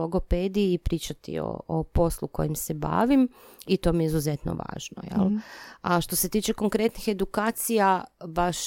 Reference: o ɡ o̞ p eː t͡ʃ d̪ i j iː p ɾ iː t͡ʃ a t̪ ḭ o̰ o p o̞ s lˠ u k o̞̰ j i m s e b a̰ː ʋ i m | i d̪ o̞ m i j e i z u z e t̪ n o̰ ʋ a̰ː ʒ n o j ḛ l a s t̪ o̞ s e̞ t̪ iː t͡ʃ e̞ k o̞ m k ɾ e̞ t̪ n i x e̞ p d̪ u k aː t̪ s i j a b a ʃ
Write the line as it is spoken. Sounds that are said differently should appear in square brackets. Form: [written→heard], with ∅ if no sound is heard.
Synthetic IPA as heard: o ɡ o̞ p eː [t͡ʃ→∅] d̪ i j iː p ɾ iː t͡ʃ a t̪ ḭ o̰ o p o̞ s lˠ u k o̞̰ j i m s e b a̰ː ʋ i m | i [d̪→t̪] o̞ m i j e i z u z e t̪ n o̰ ʋ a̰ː ʒ n o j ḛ l a [s→ʃ] t̪ o̞ s e̞ t̪ iː t͡ʃ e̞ k o̞ [m→ŋ] k ɾ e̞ t̪ n i x e̞ [p→∅] d̪ u k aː t̪ s i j a b a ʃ